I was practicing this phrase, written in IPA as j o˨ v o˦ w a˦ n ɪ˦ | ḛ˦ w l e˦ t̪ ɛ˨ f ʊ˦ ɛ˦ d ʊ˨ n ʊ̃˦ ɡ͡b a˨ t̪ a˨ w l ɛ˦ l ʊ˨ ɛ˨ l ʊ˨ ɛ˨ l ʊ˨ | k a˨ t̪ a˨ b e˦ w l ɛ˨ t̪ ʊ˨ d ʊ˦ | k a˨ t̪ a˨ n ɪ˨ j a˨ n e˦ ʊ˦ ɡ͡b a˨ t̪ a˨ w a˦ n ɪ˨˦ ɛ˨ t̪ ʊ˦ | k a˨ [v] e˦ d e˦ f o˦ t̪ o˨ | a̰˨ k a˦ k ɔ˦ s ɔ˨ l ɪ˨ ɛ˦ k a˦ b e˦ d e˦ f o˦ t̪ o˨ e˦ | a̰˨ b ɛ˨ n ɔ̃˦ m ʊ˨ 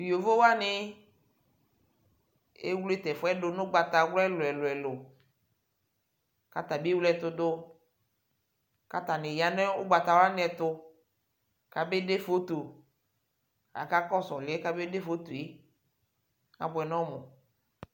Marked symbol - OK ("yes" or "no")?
no